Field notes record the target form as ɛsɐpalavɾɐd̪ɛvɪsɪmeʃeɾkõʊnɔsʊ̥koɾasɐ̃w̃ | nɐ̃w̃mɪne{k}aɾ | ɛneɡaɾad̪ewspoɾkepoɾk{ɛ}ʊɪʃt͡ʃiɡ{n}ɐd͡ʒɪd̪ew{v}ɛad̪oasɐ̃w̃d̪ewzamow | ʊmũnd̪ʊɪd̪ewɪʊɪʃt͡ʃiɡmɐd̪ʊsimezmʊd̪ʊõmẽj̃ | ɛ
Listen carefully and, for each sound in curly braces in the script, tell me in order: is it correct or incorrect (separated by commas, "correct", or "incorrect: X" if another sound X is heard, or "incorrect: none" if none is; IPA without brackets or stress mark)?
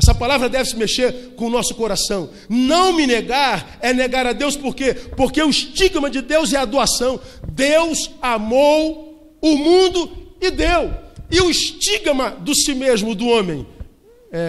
incorrect: ɡ, incorrect: e, incorrect: m, incorrect: z